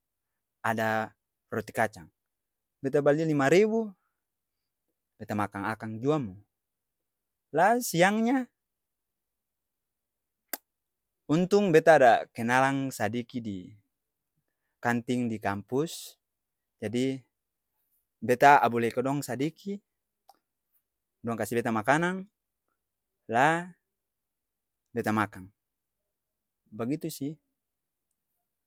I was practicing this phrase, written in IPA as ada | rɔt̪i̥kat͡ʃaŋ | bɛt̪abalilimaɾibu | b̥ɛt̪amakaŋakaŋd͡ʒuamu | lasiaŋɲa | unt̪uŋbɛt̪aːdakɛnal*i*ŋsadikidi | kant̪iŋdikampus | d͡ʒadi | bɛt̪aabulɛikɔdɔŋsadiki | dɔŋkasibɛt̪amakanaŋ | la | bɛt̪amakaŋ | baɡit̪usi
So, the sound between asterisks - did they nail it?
no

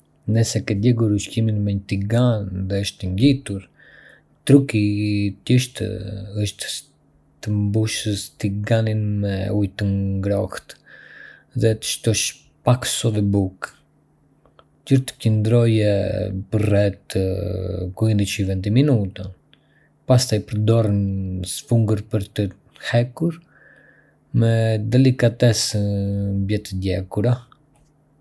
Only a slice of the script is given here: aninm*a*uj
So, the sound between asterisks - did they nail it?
no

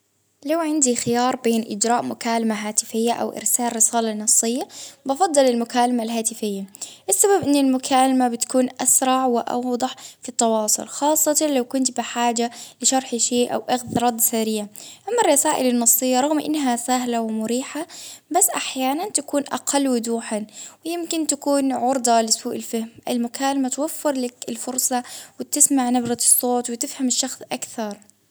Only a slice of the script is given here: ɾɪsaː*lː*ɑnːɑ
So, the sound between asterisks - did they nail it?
no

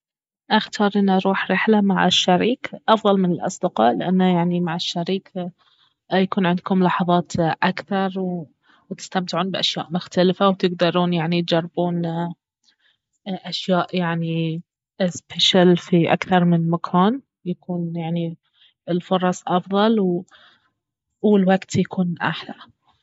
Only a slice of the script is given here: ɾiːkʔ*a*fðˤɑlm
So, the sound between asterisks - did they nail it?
no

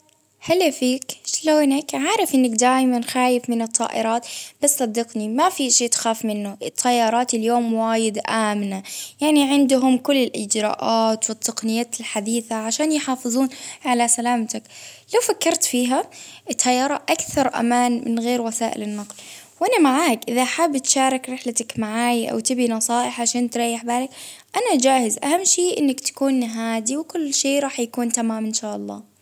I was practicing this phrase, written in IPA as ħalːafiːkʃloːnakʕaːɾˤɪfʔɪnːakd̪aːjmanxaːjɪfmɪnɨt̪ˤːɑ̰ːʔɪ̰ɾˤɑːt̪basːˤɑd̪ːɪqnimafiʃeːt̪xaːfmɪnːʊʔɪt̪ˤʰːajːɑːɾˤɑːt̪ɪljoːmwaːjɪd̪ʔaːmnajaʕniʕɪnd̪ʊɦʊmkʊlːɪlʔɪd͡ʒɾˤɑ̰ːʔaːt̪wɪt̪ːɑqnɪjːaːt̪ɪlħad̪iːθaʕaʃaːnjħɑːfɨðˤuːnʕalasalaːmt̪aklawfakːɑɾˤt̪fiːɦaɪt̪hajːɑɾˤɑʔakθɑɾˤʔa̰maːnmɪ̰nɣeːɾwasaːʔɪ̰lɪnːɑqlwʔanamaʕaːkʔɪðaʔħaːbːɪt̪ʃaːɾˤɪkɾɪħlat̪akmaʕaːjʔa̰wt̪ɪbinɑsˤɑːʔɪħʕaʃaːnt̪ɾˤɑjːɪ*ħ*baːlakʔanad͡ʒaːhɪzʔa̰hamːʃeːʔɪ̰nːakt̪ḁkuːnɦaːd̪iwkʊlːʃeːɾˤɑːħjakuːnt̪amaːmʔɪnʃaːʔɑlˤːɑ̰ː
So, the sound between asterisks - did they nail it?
yes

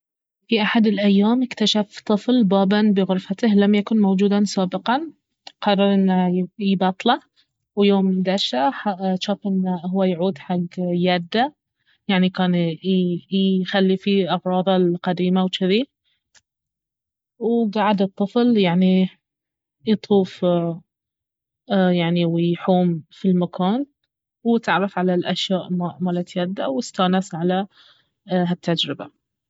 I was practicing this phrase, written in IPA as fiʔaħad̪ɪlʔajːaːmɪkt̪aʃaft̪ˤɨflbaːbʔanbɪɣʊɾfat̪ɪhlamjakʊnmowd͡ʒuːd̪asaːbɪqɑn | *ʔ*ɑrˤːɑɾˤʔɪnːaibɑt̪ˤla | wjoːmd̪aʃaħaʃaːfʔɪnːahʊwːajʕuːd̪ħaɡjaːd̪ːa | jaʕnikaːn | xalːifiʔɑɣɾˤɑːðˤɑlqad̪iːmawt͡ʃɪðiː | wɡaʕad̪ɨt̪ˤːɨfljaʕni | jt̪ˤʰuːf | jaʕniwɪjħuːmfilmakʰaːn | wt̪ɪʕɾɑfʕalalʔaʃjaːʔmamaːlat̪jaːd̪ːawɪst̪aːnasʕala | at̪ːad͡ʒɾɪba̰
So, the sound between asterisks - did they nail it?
no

